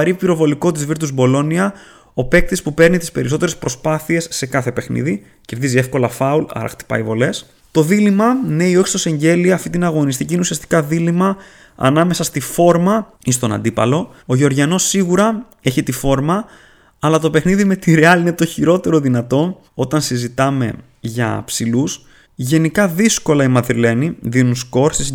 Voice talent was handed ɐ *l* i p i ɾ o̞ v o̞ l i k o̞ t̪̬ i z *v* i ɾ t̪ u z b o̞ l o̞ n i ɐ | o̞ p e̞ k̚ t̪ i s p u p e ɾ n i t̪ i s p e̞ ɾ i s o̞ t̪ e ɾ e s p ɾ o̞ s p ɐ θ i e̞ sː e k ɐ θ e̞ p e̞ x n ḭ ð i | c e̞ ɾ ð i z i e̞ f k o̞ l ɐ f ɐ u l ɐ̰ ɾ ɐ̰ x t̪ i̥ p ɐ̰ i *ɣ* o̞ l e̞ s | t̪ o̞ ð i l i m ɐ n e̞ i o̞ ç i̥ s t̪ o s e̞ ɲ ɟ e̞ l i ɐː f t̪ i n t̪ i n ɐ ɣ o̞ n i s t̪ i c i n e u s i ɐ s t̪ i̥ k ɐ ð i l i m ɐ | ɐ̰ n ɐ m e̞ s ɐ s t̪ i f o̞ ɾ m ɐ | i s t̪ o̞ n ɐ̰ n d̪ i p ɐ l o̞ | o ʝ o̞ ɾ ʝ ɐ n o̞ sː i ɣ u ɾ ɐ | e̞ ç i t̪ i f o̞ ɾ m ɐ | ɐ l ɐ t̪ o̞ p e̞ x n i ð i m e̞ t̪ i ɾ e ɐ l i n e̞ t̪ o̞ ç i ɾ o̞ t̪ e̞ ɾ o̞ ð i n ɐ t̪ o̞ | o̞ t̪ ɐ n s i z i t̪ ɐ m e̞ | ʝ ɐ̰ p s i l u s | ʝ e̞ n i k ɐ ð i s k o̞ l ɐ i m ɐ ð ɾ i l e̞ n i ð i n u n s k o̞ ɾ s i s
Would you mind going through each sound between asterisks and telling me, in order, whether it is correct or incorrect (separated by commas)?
incorrect, correct, incorrect